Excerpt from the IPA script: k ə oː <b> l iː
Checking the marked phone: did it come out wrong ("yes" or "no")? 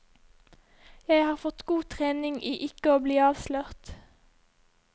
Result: no